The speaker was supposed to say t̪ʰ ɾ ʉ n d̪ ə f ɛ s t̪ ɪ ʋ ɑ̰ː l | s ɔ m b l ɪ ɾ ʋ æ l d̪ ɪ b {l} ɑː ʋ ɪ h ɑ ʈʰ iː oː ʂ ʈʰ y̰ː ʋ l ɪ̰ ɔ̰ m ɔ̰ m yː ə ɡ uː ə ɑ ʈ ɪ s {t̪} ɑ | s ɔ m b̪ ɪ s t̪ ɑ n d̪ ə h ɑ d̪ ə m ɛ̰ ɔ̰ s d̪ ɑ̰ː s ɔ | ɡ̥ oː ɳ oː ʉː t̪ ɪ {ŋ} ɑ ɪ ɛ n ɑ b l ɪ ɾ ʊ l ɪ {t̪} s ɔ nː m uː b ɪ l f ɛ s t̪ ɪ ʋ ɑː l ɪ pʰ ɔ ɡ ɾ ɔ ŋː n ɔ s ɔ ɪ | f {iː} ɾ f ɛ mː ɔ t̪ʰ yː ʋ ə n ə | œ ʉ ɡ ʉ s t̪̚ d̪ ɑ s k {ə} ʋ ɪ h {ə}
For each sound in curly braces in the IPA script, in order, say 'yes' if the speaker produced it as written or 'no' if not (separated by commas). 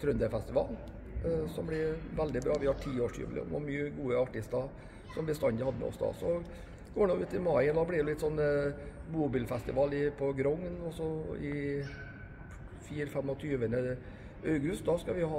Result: no, yes, no, yes, yes, no, no